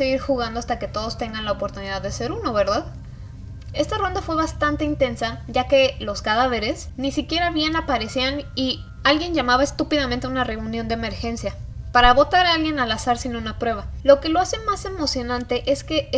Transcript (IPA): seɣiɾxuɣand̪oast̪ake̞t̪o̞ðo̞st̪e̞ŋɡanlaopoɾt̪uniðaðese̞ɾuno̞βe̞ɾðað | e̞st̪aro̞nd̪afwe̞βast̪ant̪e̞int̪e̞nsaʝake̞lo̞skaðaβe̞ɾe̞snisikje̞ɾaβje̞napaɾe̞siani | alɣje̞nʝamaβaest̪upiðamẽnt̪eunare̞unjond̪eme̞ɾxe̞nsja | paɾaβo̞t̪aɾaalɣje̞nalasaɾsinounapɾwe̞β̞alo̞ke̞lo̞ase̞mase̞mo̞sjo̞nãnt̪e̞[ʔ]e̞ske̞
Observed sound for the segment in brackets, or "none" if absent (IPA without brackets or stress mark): ʔ